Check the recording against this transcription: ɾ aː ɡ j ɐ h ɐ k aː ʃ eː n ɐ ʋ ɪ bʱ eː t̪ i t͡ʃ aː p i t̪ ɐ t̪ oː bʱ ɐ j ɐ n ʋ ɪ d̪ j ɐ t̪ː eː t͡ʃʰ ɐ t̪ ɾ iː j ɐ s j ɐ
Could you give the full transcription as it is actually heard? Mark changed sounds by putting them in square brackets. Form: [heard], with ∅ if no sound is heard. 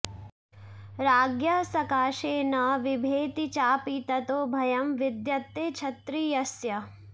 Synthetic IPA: ɾ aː ɡ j ɐ [s] ɐ k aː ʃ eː n ɐ ʋ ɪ bʱ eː t̪ i t͡ʃ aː p i t̪ ɐ t̪ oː bʱ ɐ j ɐ [m] ʋ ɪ d̪ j ɐ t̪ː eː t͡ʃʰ ɐ t̪ ɾ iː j ɐ s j ɐ